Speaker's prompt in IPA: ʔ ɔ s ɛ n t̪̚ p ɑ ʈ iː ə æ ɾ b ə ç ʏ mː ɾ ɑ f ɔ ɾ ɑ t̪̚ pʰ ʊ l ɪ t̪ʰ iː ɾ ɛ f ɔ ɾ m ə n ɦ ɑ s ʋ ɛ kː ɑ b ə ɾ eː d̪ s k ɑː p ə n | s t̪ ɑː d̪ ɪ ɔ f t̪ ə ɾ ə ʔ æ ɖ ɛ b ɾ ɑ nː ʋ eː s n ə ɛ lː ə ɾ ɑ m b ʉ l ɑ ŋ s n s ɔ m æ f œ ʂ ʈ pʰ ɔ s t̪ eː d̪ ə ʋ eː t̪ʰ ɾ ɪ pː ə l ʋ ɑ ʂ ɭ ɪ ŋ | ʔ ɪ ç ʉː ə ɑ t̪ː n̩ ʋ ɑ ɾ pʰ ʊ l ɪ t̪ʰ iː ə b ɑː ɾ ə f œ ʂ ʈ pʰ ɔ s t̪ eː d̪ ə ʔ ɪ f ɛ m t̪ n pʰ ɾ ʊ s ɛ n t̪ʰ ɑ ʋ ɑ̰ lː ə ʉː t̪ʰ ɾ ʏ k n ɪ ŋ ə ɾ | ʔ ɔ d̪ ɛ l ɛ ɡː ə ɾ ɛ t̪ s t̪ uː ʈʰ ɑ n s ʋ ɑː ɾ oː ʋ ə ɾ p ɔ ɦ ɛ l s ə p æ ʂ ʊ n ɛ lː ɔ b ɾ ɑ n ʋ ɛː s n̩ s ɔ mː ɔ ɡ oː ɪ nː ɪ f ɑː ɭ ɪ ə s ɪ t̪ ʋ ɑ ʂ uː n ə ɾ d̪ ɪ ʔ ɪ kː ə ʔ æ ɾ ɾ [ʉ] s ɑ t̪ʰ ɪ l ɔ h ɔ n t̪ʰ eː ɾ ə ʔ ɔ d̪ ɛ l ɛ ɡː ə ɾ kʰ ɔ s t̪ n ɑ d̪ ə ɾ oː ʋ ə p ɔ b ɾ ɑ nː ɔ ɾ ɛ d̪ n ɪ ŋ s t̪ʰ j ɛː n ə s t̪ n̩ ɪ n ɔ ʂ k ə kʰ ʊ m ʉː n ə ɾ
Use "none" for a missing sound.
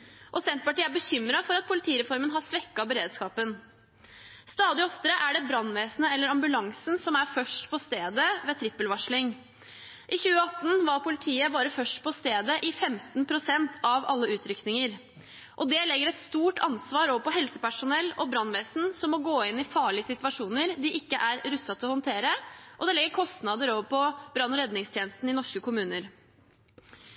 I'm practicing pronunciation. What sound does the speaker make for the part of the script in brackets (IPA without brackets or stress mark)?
ʉ